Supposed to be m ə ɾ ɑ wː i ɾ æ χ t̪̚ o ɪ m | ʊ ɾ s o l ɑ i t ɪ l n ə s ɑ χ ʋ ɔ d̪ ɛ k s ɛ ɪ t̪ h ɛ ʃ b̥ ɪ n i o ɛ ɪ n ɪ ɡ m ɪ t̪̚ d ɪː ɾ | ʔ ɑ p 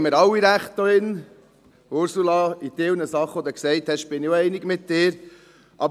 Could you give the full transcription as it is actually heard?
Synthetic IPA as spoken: m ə ɾ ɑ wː i ɾ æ χ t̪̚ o ɪ n | ʊ ɾ s u l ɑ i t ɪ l n ə s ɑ χ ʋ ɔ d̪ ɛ k s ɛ ɪ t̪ h ɛ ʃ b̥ ɪ n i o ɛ ɪ n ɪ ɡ m ɪ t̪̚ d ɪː ɾ | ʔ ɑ b